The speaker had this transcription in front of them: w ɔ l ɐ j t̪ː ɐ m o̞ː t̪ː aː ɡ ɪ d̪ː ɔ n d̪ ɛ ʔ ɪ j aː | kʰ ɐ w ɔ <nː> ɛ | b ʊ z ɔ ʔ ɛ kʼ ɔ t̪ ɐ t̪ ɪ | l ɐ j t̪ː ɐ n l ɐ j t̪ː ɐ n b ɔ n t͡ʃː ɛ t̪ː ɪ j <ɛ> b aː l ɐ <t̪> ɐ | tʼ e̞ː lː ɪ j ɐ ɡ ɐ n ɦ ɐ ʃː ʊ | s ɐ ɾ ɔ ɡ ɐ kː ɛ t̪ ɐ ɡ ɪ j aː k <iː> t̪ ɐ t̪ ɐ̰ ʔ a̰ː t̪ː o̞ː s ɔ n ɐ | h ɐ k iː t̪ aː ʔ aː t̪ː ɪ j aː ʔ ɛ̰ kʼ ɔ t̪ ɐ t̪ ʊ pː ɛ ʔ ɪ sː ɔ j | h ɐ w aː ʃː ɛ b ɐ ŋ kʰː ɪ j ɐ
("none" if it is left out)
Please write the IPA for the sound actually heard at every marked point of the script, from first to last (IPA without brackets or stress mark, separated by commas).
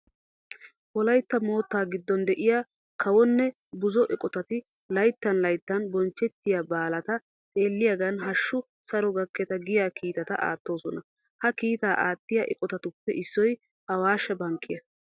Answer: nː, a, t̪, iː